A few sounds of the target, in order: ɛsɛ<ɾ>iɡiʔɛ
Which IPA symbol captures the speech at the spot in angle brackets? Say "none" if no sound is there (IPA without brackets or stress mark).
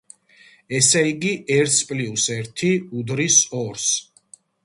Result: none